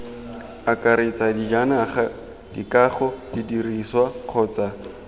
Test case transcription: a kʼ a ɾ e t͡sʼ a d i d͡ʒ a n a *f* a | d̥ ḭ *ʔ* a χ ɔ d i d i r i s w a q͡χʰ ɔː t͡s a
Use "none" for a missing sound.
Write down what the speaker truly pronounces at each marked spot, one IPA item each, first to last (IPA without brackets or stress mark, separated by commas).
χ, k